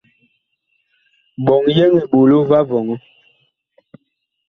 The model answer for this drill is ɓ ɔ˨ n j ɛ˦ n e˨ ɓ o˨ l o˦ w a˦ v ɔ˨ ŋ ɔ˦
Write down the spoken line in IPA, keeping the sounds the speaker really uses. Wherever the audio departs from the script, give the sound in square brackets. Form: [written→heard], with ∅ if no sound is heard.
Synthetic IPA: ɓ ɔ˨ [n→ŋ] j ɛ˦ [n→ŋ] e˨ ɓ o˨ l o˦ [w→v] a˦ v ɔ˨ ŋ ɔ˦